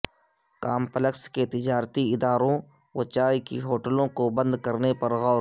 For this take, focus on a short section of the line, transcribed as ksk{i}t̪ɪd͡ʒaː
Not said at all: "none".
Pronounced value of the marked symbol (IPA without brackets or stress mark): e